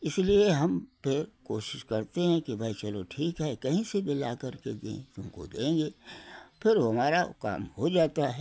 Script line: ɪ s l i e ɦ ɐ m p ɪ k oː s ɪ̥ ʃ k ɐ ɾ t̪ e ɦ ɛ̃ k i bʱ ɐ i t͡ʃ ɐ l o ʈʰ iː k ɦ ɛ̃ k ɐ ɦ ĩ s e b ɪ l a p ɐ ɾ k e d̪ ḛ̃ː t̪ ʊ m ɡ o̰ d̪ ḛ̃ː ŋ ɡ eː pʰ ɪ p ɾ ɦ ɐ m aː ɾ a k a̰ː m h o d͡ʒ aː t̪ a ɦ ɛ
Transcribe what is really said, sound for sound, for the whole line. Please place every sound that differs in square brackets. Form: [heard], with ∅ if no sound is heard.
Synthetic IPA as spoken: ɪ s l i e ɦ ɐ m p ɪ k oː [ʃ] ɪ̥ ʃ k ɐ ɾ t̪ e ɦ ɛ̃ k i bʱ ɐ i t͡ʃ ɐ l o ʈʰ iː k ɦ [ɛ] k ɐ ɦ ĩ s e b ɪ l a [k] ɐ ɾ k e d̪ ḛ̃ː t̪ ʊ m [k] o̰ d̪ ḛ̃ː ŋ ɡ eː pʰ ɪ [∅] ɾ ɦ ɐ m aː ɾ a k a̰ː m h o d͡ʒ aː t̪ a ɦ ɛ